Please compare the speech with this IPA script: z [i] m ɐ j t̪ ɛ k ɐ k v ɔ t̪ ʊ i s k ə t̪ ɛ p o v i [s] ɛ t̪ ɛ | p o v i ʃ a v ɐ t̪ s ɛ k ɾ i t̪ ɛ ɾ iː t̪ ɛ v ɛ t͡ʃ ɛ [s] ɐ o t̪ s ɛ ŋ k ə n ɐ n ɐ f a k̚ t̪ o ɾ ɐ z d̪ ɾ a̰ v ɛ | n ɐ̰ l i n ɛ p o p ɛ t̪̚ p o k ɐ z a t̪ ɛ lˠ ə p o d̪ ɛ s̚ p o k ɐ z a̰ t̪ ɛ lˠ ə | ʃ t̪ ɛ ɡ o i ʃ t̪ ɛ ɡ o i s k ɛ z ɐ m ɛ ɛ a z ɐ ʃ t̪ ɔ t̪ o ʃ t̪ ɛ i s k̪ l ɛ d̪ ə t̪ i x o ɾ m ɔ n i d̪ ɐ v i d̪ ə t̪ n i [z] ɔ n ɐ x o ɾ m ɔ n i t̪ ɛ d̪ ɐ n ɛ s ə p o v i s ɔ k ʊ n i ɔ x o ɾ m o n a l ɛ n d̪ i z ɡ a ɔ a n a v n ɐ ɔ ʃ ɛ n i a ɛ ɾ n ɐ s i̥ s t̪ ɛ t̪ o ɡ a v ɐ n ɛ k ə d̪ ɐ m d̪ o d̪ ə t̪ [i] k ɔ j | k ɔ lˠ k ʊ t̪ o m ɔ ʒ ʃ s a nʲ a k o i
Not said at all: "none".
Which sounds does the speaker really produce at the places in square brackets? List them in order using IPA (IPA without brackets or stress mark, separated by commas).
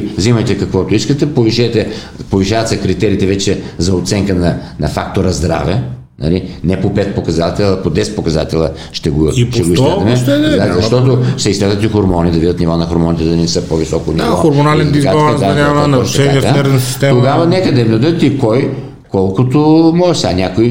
i, ʃ, z, v, i